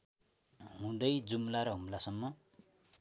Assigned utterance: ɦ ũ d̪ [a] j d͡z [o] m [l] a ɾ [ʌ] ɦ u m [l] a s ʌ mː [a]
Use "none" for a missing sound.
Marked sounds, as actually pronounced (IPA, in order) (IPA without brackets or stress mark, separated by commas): ʌ, u, l, ʌ, l, ʌ